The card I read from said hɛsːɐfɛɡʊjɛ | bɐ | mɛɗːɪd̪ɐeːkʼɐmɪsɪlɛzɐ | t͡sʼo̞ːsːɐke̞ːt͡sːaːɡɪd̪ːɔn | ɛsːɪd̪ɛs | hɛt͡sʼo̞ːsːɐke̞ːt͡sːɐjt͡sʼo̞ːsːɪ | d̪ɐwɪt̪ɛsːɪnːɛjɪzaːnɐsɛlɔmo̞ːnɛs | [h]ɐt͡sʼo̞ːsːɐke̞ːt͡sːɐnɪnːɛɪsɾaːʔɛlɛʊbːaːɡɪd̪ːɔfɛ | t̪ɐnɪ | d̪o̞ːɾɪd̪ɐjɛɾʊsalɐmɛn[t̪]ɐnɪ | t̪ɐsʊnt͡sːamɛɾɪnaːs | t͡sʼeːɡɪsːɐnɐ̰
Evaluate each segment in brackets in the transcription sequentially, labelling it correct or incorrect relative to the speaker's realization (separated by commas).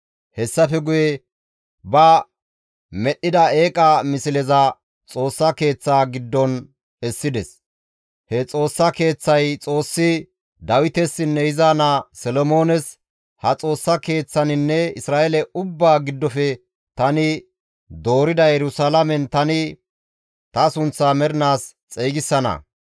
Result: correct, correct